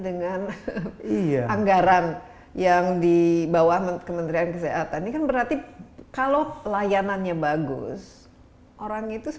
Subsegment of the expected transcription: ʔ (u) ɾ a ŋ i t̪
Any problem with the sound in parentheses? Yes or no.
yes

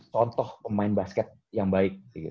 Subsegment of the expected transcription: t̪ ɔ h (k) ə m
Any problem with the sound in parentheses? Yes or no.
yes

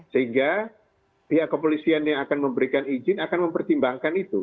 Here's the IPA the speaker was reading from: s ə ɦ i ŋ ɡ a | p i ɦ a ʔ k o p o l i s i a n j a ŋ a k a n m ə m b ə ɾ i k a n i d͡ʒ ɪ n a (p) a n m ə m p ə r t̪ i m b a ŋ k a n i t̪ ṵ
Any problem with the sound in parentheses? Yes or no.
yes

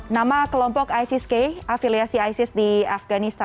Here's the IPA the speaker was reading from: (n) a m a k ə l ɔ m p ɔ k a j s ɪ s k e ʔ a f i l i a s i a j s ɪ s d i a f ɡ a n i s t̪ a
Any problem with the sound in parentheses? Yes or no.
no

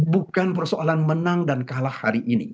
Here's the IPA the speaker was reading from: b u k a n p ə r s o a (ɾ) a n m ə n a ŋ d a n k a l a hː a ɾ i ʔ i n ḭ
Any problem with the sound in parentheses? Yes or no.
yes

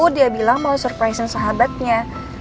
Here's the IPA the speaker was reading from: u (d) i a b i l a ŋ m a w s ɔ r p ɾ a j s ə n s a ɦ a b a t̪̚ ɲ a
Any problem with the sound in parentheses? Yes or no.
no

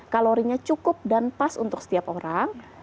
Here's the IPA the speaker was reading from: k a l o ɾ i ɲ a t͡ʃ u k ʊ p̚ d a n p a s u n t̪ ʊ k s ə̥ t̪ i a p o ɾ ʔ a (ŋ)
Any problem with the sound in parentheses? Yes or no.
no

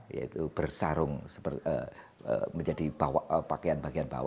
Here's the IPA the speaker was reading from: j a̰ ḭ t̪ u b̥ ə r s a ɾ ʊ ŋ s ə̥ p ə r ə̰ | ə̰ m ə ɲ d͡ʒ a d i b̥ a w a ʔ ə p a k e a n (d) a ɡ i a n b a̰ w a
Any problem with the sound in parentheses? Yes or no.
yes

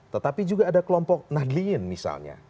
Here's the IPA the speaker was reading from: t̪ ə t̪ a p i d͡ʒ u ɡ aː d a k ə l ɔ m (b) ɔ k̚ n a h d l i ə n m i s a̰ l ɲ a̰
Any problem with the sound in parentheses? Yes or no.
yes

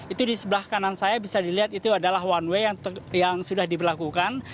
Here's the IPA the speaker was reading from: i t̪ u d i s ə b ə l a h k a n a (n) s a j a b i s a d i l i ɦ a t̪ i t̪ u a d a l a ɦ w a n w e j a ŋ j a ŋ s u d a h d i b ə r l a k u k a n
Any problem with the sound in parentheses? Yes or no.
no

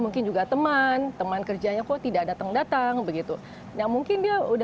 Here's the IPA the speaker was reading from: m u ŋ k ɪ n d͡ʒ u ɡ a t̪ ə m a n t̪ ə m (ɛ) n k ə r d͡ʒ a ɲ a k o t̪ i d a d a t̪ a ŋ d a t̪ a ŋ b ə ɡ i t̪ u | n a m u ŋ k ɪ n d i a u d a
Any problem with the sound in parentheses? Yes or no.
yes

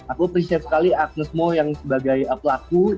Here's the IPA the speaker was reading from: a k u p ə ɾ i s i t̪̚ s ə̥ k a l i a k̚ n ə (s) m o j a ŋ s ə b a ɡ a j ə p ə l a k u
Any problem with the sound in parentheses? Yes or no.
no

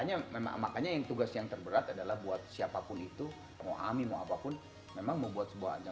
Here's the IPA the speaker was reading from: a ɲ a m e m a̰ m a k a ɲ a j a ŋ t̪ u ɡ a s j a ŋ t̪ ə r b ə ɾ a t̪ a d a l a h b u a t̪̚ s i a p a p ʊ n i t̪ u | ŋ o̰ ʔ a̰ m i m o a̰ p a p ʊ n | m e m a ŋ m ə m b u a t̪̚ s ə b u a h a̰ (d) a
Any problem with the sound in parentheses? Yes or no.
yes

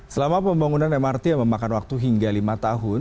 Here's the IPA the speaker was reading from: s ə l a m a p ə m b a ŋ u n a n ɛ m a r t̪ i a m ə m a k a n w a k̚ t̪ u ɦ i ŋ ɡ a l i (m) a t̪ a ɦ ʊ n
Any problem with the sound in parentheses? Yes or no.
no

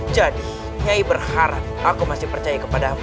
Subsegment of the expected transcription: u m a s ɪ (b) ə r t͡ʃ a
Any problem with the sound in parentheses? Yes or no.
yes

